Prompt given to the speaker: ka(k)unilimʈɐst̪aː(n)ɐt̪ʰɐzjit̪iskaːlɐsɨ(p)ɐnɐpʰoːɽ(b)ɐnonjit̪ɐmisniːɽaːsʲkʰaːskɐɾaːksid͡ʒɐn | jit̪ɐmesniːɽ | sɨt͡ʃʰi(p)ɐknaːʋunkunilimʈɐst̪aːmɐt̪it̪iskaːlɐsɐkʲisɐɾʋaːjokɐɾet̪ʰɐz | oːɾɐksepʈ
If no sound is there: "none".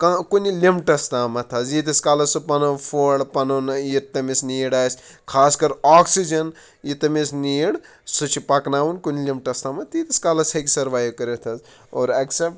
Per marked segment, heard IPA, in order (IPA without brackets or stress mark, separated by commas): k, m, p, p, p